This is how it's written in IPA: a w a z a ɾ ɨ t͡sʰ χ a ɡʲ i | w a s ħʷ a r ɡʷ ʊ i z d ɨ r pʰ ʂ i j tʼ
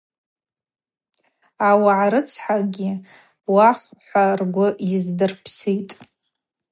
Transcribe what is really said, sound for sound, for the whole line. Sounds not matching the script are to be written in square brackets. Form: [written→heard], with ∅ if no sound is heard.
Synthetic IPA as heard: a w a [z→ʕ] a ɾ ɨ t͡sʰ [χ→ħ] a ɡʲ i | w a [s→χ] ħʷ a r ɡʷ ʊ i z d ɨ r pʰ [ʂ→s] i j tʼ